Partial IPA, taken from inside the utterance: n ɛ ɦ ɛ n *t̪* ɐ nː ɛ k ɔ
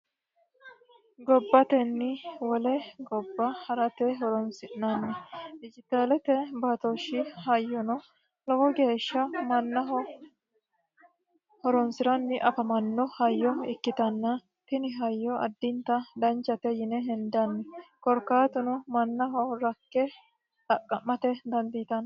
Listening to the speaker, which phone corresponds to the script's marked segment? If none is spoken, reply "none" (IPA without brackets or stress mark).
d̪